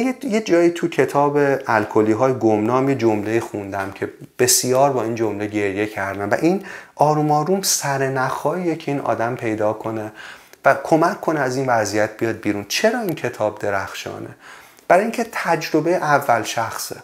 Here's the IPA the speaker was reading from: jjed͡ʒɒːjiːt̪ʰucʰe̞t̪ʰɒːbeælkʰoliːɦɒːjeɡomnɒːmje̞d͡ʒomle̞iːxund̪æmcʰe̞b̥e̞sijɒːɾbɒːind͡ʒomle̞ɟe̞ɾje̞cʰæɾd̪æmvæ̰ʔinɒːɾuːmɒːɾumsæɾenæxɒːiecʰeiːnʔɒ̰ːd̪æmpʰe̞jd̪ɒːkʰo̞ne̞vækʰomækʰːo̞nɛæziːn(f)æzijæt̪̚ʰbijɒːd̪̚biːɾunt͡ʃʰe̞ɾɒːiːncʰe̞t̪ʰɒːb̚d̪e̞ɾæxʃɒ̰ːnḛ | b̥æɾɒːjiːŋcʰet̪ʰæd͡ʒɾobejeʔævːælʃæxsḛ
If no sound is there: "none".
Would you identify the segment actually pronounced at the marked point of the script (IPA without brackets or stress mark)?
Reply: v